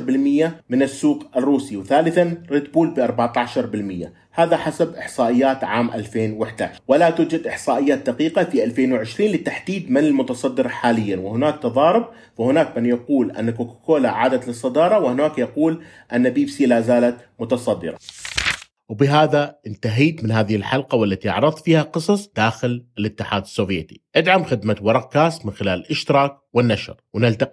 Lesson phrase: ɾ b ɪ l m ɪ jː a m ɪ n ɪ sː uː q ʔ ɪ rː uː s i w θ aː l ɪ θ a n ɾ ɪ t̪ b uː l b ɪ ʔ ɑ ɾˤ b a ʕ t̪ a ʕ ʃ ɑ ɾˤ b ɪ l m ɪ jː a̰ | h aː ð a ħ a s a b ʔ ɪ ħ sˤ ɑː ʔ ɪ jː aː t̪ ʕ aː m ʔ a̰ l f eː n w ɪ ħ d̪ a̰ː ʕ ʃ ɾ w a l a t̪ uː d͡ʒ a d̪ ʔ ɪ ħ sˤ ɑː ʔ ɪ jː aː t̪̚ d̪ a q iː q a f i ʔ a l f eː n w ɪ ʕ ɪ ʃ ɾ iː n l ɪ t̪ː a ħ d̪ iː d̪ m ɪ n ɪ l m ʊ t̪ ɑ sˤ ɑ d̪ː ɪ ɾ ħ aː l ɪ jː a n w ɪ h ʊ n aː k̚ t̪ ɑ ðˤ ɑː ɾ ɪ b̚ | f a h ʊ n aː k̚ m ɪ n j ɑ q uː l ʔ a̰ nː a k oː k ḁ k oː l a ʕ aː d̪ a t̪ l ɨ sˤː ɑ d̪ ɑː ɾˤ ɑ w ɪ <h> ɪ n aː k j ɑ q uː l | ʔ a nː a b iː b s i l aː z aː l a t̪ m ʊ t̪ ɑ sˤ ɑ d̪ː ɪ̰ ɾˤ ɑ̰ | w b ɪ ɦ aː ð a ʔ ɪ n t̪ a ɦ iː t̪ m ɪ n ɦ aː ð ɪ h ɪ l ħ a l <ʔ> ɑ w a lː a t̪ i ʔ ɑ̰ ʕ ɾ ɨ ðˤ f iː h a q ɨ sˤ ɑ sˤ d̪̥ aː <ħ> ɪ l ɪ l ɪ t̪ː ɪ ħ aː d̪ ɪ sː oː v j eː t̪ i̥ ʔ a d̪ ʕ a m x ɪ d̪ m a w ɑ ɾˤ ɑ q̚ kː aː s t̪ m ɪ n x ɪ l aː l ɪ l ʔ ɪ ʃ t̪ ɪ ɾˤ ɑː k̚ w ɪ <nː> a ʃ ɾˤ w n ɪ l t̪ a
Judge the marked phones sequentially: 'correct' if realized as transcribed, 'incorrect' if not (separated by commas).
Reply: correct, incorrect, incorrect, correct